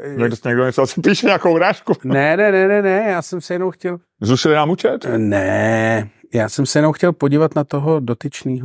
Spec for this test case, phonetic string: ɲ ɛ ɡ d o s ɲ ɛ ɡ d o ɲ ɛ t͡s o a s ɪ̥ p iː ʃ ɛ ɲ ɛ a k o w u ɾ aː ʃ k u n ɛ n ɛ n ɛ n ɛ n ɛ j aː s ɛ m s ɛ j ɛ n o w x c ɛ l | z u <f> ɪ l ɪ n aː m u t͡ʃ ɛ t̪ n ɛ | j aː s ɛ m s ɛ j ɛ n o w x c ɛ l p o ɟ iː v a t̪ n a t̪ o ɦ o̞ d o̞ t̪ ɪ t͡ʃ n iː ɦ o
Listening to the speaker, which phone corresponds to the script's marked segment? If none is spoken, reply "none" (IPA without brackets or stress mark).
ʃ